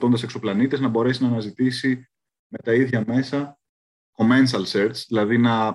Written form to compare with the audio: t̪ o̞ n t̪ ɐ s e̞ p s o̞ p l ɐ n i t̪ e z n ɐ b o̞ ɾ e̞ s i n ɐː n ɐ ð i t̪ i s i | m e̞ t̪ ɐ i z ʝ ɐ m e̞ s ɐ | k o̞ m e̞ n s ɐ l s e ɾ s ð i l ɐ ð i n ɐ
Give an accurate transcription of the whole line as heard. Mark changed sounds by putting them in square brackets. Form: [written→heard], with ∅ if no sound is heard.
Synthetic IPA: t̪ o̞ n [t̪→d̪] ɐ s e̞ [p→k] s o̞ p l ɐ n i t̪ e z n ɐ b o̞ ɾ e̞ s i n ɐː n ɐ [ð→z] i t̪ i s i | m e̞ t̪ ɐ i [z→ð] ʝ ɐ m e̞ s ɐ | k o̞ m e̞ n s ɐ l s e ɾ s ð i l ɐ ð i n ɐ